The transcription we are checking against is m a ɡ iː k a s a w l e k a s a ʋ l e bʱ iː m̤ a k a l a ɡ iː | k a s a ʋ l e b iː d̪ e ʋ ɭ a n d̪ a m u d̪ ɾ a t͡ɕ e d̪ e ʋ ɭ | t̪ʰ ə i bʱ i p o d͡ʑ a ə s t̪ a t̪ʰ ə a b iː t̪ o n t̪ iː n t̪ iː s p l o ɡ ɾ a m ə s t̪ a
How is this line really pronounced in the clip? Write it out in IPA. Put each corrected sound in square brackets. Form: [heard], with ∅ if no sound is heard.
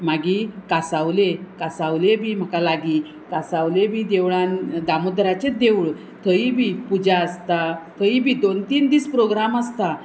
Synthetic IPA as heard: m a ɡ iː k a s a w l e k a s a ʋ l e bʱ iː m̤ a k a l a ɡ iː | k a s a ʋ l e b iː d̪ e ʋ ɭ a n d̪ a m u d̪ ɾ a t͡ɕ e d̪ e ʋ ɭ | t̪ʰ ə i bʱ i p [u] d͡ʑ a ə s t̪ a t̪ʰ ə [i] b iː [d̪] o n t̪ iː n [d̪] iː s p [ɾ] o ɡ ɾ a m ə s t̪ a

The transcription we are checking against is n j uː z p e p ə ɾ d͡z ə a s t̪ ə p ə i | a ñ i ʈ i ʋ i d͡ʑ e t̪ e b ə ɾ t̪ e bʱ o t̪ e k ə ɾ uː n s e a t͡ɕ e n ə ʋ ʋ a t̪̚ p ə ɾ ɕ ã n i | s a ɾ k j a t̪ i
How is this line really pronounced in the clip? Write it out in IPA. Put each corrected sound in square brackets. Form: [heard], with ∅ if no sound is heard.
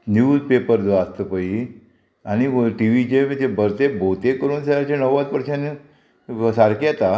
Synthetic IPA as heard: n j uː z p e p ə ɾ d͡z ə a s t̪ ə p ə i | a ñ i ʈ i ʋ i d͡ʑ e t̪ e b ə ɾ t̪ e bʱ o t̪ e k ə ɾ uː n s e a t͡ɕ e n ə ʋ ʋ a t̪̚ p ə ɾ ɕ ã n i | s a ɾ k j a t̪ [a]

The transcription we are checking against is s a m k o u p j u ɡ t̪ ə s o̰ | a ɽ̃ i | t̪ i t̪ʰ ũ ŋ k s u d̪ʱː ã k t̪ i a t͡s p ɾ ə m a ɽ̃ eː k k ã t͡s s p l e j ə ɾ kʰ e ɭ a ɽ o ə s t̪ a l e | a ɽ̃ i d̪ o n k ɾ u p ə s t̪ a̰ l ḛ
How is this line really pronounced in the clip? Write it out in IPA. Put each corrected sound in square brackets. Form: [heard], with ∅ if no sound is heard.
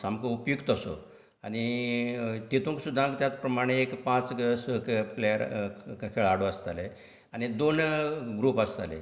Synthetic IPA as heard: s a m k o u p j u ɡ t̪ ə s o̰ | a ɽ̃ i | t̪ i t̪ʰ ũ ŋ k s u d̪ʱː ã k t̪ [j] a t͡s p ɾ ə m a ɽ̃ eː k [p] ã t͡s s p l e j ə ɾ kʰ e ɭ a ɽ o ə s t̪ a l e | a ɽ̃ i d̪ o n [ɡ] ɾ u p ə s t̪ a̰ l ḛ

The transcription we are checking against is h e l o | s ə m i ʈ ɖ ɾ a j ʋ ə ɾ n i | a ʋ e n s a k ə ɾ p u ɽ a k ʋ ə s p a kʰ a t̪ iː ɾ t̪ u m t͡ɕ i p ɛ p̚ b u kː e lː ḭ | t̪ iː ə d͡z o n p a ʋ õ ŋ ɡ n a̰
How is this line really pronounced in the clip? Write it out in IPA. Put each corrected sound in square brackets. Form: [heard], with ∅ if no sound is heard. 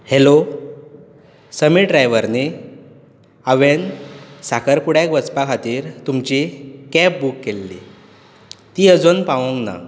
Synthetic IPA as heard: h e l o | s ə m i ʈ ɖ ɾ a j ʋ ə ɾ n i | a ʋ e n s a k ə ɾ p u ɽ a k ʋ ə [t͡s] p a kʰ a t̪ iː ɾ t̪ u m t͡ɕ i [k] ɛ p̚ b u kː e lː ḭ | t̪ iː ə d͡z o n p a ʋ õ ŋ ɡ n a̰

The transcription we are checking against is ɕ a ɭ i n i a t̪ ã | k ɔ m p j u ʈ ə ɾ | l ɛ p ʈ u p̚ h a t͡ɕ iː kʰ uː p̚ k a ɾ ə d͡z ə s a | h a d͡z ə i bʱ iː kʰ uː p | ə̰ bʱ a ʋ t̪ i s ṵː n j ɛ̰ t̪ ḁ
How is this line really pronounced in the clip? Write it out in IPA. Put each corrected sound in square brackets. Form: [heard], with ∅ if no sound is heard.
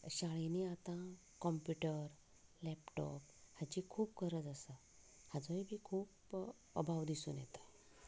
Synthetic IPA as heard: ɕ a ɭ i n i a t̪ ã | k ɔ m p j u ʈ ə ɾ | l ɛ p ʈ [ɔ] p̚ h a t͡ɕ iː kʰ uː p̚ k [ə] ɾ ə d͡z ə s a | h a d͡z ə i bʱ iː kʰ uː p | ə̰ bʱ a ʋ [d̪] i s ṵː n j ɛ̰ t̪ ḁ

